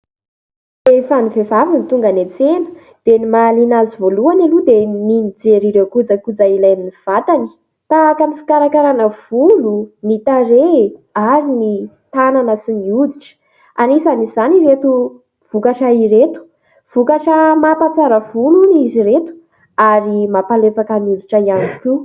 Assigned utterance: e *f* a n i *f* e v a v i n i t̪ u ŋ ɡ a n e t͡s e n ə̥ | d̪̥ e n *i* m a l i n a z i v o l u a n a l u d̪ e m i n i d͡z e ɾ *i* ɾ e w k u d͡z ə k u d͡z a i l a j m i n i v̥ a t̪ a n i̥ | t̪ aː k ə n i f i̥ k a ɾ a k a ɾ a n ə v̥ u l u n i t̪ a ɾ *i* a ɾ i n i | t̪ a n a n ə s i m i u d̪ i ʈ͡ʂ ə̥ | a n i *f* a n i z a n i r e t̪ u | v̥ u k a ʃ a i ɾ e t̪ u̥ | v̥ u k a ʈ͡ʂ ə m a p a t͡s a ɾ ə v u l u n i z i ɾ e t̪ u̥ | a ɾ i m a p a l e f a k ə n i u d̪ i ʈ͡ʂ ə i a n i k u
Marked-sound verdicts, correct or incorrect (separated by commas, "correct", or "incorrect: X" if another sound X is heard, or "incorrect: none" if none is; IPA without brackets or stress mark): correct, incorrect: v, correct, correct, incorrect: e, incorrect: s